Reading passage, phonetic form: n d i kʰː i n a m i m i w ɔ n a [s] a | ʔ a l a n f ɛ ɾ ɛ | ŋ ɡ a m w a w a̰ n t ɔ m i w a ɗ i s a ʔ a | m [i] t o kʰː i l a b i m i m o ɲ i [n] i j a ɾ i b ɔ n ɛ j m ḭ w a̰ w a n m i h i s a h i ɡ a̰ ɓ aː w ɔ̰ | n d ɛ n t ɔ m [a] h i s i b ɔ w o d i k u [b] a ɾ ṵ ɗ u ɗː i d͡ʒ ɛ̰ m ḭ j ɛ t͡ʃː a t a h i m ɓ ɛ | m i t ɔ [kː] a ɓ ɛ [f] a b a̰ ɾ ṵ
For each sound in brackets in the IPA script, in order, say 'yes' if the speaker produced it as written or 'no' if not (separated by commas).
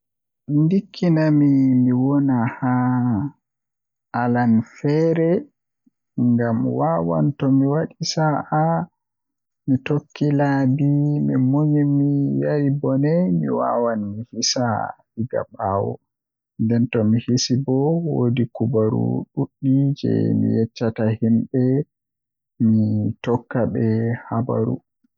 no, yes, no, no, yes, yes, no